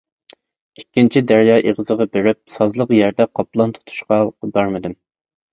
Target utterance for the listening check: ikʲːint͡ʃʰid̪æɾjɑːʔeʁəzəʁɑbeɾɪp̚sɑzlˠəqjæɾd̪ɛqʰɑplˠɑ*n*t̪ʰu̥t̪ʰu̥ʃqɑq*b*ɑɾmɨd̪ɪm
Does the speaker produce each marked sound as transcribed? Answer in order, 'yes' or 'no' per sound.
yes, yes

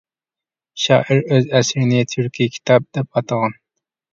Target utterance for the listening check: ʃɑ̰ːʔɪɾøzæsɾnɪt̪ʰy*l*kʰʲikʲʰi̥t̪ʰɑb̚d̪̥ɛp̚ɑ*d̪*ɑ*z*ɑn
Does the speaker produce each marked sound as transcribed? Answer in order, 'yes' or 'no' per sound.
no, no, no

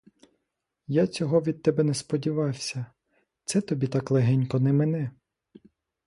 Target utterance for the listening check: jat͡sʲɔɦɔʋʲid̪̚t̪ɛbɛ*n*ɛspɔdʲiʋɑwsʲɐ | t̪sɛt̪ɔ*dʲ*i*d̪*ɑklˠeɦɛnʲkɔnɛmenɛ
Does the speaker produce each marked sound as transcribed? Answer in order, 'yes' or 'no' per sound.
yes, no, no

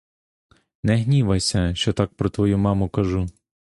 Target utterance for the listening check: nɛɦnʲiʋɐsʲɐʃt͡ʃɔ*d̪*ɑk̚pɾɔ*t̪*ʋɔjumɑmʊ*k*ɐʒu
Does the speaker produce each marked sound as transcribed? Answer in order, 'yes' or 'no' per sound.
no, yes, yes

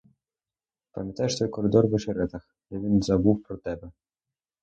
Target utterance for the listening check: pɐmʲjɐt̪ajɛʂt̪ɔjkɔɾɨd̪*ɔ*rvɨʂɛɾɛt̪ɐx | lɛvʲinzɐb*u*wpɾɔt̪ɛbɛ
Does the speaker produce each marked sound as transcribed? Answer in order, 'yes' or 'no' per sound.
yes, yes

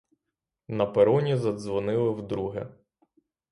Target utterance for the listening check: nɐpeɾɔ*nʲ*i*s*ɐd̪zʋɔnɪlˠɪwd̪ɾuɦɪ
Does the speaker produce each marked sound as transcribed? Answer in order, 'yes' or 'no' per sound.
yes, no

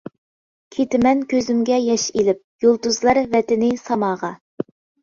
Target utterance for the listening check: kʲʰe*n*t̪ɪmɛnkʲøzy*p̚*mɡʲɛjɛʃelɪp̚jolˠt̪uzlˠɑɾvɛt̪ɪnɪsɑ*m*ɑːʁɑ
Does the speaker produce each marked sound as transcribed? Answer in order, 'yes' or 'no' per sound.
no, no, yes

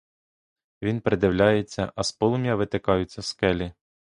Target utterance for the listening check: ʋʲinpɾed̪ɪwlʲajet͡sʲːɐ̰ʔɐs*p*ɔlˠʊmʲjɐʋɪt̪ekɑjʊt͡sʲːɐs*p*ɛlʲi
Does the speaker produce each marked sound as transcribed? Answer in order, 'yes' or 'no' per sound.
yes, no

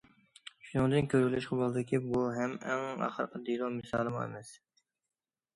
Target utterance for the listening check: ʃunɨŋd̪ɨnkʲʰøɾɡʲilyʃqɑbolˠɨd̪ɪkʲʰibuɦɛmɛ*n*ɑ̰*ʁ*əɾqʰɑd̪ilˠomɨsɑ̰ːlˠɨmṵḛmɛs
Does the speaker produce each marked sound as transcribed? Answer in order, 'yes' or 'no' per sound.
no, no

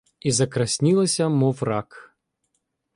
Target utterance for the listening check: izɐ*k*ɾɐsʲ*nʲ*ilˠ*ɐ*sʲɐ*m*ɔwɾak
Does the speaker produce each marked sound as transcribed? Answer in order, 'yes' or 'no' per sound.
yes, yes, yes, yes

